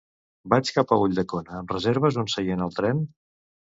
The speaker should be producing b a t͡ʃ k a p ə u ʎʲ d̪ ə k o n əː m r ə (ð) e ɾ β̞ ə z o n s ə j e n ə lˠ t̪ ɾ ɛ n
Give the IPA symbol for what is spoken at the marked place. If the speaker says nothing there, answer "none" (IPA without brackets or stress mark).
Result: z